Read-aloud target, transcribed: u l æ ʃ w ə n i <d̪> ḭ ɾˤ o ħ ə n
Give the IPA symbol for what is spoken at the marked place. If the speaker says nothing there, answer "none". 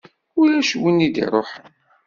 d̪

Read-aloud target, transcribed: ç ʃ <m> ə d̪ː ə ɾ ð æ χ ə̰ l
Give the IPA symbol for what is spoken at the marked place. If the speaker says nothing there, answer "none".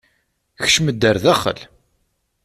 m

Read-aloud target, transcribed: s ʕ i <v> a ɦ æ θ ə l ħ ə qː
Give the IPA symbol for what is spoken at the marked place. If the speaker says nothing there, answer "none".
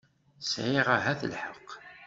ʁ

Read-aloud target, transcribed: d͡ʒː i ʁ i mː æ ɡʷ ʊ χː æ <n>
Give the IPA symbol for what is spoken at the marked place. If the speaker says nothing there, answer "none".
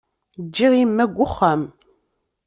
m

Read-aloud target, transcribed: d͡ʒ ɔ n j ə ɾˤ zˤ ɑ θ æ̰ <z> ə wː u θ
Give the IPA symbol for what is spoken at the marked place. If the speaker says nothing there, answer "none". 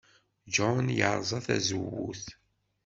z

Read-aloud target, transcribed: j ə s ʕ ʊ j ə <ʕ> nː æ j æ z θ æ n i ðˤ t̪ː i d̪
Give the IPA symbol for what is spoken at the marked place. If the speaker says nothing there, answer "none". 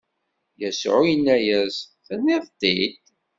none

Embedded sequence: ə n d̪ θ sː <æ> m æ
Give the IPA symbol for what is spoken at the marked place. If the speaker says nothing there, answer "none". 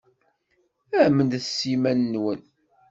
i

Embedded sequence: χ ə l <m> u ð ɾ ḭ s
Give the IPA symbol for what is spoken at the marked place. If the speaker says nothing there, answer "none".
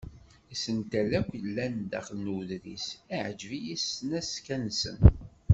n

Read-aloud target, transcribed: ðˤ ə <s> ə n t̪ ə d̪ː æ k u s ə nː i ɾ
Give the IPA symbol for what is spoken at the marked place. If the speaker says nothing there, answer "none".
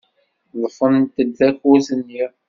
f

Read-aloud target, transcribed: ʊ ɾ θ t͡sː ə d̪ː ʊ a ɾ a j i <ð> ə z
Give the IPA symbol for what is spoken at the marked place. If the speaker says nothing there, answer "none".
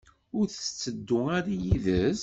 ð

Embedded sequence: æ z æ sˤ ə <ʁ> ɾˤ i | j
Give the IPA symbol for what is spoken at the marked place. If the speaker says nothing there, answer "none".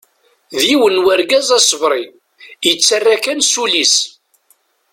v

